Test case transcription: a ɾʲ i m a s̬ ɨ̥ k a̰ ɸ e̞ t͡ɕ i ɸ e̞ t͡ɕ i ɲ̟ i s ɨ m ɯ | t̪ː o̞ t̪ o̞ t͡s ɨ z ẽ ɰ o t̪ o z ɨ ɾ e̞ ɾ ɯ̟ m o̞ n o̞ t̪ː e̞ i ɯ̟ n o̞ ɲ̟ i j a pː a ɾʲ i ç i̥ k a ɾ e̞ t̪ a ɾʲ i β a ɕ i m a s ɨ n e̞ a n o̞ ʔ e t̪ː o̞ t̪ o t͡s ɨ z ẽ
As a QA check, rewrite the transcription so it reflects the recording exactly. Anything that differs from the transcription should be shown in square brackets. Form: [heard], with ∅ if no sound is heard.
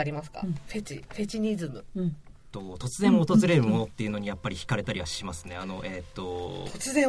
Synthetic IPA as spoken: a ɾʲ i m a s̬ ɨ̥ k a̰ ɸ e̞ t͡ɕ i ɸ e̞ t͡ɕ i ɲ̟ i [z] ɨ m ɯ | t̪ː o̞ t̪ o̞ t͡s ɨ z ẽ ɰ o t̪ o z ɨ ɾ e̞ ɾ ɯ̟ m o̞ n o̞ t̪ː e̞ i ɯ̟ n o̞ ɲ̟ i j a pː a ɾʲ i ç i̥ k a ɾ e̞ t̪ a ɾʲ i β a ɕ i m a s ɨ n e̞ a n o̞ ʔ e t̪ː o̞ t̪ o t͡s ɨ z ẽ